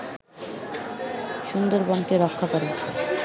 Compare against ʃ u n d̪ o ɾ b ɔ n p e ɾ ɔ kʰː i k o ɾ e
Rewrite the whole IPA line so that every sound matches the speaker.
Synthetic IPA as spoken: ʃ u n d̪ o ɾ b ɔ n k e ɾ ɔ kʰː a k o ɾ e

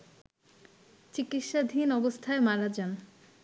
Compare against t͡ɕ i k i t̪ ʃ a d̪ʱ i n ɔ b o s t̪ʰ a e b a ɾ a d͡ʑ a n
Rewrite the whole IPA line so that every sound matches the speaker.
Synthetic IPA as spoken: t͡ɕ i k i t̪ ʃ a d̪ʱ i n ɔ b o s t̪ʰ a e m a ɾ a d͡ʑ a n

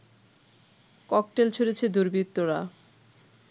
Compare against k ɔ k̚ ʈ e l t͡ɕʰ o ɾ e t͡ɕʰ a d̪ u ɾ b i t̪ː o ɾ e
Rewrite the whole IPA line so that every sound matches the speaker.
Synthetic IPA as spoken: k ɔ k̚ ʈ e l t͡ɕʰ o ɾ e t͡ɕʰ e d̪ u ɾ b i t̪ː o ɾ a

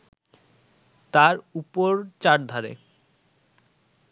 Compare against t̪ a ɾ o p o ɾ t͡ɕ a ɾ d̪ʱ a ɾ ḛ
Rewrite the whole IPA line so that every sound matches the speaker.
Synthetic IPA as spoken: t̪ a ɾ u p o ɾ t͡ɕ a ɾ d̪ʱ a ɾ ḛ

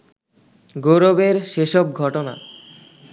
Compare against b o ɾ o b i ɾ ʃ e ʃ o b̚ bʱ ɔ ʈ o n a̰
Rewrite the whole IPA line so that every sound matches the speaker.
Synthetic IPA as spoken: ɡ o ɾ o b e ɾ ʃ e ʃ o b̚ ɡʱ ɔ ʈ o n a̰

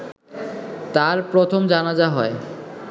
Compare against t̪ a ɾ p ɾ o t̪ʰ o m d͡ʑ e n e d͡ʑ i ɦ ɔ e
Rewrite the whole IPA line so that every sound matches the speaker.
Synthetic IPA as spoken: t̪ a ɾ p ɾ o t̪ʰ o m d͡ʑ a n a d͡ʑ a ɦ ɔ e

